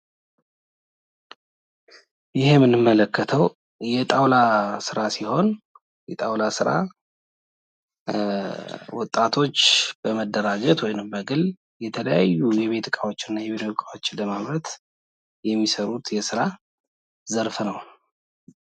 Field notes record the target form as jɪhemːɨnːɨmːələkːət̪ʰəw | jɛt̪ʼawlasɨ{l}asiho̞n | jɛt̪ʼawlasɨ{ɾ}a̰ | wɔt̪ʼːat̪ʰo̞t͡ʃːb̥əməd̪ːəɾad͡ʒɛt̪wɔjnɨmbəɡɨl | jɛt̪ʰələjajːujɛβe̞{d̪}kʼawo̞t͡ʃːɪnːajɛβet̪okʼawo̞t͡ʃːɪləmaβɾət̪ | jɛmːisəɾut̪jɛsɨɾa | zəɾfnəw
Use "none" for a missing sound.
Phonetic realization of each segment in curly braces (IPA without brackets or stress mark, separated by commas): ɾ, ɾ, t̪